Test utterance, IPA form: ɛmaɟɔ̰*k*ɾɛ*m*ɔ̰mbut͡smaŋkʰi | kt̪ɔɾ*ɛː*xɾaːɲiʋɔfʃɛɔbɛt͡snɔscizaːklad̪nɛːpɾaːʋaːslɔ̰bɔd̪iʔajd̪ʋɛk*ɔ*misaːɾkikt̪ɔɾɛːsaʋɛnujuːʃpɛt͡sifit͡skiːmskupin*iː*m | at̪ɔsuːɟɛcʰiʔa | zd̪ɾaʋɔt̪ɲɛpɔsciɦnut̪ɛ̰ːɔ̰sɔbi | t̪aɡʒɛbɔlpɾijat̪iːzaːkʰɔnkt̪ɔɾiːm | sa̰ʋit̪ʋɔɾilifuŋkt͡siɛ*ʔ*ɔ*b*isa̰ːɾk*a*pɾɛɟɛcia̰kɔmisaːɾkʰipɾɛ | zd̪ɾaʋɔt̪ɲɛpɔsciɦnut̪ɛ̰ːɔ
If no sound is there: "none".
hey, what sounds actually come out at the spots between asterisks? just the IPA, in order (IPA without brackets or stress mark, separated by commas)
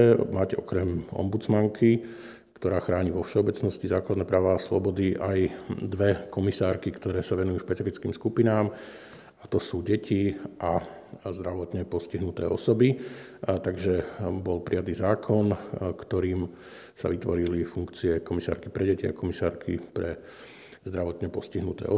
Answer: k, m, aː, ɔ, aː, k, m, i